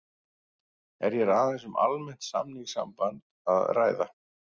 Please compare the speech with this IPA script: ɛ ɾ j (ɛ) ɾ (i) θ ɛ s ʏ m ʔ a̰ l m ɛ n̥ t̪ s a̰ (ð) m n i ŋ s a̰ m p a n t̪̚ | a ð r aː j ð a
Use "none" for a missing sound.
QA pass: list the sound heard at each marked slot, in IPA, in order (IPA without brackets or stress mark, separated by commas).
ɛ, a, none